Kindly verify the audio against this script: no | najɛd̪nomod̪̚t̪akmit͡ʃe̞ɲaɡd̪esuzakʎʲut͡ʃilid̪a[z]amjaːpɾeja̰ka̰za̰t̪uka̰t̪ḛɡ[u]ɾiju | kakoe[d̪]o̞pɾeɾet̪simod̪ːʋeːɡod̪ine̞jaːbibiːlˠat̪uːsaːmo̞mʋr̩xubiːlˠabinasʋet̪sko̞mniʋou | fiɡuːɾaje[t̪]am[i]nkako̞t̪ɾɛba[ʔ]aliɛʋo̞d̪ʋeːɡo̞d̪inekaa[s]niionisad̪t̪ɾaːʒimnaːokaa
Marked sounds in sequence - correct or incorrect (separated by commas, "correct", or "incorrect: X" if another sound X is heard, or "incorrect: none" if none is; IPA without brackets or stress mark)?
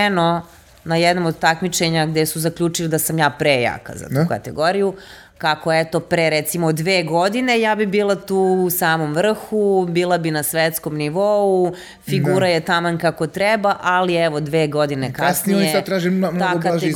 incorrect: s, incorrect: o, incorrect: t̪, correct, incorrect: a, correct, correct